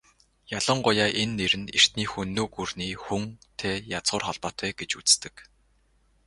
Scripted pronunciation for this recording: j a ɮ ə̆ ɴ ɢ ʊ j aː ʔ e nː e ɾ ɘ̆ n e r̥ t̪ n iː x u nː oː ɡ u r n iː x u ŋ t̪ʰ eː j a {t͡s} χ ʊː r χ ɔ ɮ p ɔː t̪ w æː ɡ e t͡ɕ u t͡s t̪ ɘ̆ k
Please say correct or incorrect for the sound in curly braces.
correct